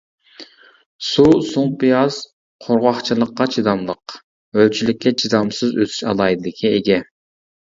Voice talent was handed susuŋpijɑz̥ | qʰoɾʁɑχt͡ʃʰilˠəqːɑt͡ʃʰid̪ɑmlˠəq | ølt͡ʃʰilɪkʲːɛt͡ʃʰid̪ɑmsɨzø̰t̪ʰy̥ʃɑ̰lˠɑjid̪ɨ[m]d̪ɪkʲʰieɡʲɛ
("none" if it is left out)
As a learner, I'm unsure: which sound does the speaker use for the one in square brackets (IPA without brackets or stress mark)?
none